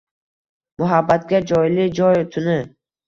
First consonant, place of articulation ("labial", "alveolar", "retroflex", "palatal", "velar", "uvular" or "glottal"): labial